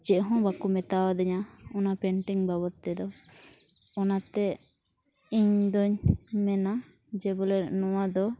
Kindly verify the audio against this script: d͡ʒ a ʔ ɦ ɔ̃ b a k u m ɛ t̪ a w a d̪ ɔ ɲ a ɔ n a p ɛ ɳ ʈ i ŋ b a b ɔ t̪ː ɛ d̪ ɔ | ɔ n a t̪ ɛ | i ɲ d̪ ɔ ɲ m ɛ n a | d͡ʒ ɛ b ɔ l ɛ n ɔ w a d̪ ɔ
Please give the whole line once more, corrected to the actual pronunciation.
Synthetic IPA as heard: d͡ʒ ɛ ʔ ɦ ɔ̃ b a k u m ɛ t̪ a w a d̪ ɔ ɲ a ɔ n a p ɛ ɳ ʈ i ŋ b a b ɔ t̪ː ɛ d̪ ɔ | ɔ n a t̪ ɛ | i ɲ d̪ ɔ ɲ m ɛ n a | d͡ʒ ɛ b ɔ l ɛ n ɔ w a d̪ ɔ